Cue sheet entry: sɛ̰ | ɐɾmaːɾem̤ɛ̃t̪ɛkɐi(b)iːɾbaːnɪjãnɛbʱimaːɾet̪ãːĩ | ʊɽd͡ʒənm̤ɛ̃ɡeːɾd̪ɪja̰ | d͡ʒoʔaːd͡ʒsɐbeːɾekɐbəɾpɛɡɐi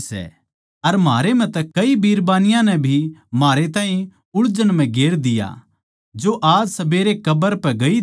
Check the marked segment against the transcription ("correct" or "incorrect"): correct